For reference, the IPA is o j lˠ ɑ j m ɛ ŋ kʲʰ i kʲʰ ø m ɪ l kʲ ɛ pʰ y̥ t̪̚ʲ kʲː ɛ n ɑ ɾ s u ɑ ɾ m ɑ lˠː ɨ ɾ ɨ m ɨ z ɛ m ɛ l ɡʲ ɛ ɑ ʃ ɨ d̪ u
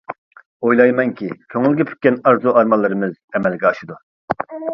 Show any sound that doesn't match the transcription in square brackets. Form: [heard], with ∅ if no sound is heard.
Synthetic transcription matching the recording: o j lˠ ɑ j m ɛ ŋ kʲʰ i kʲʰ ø [ŋ] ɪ l [ɡʲ] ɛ pʰ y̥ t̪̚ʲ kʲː ɛ n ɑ ɾ [z] u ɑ ɾ m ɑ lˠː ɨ ɾ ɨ m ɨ z ɛ m ɛ l ɡʲ ɛ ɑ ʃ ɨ d̪ u